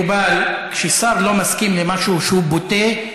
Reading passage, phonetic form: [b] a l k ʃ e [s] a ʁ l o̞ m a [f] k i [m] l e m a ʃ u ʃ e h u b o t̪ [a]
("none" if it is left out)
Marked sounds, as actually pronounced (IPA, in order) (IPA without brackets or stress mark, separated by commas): b, s, s, m, e